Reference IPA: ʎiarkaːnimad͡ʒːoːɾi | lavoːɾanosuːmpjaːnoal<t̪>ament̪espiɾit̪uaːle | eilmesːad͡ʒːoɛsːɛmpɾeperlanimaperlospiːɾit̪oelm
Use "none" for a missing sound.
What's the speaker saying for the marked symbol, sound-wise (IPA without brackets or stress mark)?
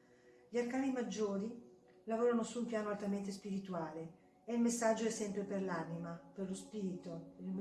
t̪